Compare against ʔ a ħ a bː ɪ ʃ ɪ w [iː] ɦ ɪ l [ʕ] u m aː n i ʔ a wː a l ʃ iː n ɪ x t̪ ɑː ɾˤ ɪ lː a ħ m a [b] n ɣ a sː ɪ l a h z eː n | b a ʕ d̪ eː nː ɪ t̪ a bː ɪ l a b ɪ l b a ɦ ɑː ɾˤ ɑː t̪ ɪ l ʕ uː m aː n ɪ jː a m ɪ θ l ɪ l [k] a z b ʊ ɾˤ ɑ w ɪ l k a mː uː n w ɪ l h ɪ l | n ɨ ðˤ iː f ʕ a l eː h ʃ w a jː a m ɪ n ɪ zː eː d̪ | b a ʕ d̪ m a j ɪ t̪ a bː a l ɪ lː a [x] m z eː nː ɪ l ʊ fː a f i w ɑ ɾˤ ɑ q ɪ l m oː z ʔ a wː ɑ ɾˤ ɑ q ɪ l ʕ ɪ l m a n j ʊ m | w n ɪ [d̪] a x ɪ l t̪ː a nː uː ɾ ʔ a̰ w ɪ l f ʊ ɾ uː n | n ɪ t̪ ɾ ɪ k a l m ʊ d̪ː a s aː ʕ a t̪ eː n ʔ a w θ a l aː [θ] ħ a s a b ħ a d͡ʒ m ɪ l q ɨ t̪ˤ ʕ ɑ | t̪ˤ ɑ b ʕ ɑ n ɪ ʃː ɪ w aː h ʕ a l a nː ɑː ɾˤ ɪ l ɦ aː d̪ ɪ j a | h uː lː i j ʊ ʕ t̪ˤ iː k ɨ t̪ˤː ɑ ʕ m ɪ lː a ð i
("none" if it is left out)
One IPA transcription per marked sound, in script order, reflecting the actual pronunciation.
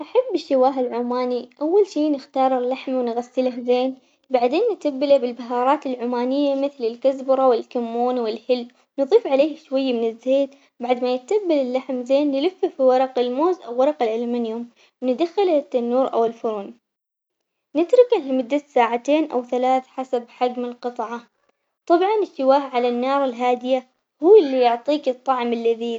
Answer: aː, ʕ, w, k, ħ, d̪, θ

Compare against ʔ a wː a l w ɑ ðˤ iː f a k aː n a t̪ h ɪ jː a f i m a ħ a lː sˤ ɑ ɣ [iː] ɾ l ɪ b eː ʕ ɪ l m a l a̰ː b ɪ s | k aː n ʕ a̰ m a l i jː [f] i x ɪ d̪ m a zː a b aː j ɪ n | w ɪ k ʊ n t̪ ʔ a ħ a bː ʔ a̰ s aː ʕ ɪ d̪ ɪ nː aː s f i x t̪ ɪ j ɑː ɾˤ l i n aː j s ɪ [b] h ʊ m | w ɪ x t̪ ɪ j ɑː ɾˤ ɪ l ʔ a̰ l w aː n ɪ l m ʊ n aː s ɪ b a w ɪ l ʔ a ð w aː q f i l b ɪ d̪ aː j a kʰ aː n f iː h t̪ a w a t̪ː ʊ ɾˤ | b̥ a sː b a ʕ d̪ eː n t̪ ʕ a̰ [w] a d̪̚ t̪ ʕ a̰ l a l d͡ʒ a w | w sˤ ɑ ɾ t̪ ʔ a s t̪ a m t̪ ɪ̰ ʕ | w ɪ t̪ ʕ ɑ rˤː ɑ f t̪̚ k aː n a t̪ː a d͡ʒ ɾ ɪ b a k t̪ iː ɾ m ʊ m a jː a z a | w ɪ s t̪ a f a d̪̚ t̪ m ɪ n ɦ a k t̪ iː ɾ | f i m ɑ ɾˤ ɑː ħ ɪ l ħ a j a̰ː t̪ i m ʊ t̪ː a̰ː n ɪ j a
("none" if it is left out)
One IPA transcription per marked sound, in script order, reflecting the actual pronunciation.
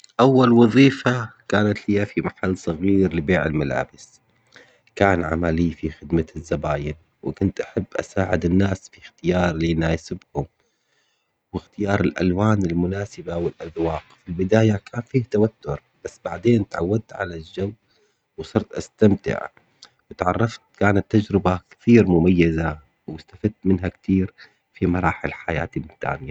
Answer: iː, f, b, wː

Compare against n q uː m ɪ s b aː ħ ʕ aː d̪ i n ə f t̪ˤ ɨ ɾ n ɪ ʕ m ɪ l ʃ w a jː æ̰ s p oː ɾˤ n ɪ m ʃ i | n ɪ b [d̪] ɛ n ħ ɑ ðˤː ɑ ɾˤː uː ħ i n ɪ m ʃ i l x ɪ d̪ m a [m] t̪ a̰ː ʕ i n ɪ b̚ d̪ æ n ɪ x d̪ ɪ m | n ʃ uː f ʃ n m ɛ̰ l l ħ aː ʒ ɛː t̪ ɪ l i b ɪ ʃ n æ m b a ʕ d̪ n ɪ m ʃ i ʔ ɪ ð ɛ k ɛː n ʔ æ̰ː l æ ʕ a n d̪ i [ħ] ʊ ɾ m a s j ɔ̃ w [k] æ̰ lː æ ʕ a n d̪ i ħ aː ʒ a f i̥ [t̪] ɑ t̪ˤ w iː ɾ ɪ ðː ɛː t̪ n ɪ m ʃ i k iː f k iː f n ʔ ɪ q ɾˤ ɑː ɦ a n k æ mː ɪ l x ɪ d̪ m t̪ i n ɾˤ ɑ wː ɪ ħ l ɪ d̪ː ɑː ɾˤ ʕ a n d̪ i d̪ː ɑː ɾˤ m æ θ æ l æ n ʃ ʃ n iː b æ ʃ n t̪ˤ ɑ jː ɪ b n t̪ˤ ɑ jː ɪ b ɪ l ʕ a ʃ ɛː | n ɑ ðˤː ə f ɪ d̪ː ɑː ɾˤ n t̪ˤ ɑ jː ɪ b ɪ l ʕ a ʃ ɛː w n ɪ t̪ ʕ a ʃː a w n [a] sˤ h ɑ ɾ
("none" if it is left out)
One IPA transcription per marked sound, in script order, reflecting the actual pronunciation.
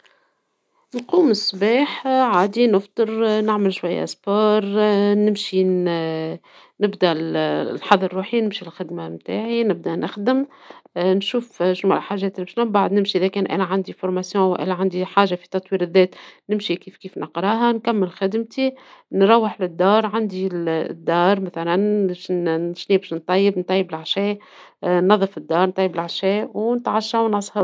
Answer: d̪, m, f, ʔ, t̪, ɑ

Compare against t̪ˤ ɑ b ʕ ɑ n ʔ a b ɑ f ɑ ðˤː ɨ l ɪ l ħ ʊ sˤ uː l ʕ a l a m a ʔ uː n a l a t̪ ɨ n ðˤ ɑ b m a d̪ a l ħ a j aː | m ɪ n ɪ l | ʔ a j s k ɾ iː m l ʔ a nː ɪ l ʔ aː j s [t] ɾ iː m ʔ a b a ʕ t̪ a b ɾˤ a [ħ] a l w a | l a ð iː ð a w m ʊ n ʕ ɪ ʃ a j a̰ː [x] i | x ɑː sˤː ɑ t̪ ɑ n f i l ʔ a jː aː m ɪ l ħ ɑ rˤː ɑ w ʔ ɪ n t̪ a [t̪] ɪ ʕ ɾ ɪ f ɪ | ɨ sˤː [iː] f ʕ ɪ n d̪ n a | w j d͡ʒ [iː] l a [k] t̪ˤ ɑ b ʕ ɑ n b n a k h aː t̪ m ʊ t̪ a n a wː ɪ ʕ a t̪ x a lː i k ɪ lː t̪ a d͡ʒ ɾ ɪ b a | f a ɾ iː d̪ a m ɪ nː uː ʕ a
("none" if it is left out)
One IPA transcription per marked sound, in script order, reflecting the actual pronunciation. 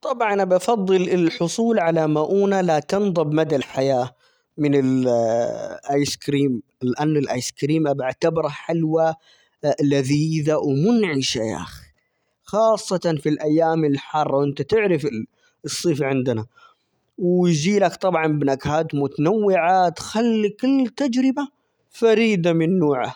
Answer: k, ħ, x, t̪, iː, iː, k

